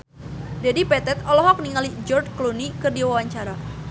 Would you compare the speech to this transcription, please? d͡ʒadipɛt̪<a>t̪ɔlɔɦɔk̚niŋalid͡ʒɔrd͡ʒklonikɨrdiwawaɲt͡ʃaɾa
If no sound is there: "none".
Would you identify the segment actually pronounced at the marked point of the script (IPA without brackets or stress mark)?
ɛ